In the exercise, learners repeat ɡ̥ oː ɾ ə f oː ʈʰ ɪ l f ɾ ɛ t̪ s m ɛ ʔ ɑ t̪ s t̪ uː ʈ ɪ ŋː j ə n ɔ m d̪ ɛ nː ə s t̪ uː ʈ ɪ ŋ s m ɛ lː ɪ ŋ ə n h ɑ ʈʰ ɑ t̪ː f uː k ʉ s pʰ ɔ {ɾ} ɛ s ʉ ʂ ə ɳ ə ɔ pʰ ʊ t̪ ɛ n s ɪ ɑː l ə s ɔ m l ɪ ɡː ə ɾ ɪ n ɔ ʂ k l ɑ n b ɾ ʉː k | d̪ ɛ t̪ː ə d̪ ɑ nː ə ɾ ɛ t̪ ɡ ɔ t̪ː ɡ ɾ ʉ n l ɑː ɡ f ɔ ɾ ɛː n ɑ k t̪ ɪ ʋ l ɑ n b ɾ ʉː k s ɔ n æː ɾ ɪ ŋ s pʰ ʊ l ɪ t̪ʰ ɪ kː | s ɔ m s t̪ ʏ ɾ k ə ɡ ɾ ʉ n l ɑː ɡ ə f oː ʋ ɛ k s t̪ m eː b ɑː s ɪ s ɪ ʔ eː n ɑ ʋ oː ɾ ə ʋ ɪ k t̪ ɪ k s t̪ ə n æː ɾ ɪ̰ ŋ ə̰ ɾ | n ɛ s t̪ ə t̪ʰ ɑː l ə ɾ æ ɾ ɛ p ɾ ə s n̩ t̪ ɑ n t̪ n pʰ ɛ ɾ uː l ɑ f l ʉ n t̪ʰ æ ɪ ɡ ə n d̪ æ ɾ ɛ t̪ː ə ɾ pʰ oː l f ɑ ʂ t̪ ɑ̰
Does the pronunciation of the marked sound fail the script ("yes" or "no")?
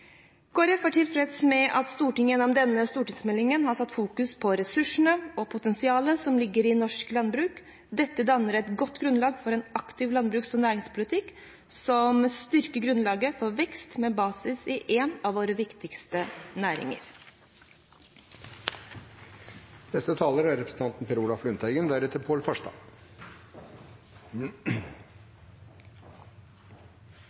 no